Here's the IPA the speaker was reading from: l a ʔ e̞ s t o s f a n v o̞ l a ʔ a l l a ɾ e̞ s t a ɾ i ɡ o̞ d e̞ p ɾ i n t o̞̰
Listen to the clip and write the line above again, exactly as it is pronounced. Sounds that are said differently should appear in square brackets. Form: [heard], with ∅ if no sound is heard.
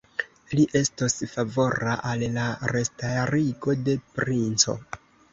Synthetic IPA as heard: l [i] ʔ e̞ s t o s f a [∅] v o̞ [ɾ] a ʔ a l l a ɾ e̞ s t a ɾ i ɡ o̞ d e̞ p ɾ i n [t͡s] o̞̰